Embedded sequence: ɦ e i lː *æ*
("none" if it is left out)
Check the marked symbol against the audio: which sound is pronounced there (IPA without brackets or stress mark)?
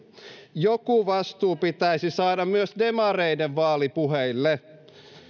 e